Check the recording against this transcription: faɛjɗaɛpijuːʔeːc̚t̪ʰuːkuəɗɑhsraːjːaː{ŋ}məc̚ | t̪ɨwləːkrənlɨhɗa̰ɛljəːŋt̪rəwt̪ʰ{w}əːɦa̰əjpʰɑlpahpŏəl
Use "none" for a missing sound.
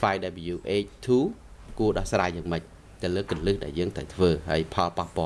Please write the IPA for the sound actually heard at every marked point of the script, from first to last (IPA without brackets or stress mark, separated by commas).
ŋ, ʋ